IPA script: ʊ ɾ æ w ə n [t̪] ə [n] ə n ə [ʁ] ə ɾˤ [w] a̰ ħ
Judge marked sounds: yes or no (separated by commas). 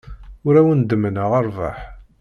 no, no, yes, no